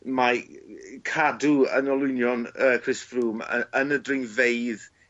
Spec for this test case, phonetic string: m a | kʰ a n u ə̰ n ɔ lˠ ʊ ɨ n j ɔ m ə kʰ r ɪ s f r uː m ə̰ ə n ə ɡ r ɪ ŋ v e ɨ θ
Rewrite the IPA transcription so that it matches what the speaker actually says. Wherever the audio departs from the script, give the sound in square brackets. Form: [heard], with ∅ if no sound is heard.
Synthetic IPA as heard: m a | kʰ a [d] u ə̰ n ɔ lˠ ʊ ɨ n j ɔ [n] ə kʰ r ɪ s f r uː m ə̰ ə n ə [d] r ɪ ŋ v e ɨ [ð]